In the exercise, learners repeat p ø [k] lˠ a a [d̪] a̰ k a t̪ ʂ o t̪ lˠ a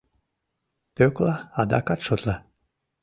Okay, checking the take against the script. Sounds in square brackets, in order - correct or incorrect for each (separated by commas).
correct, correct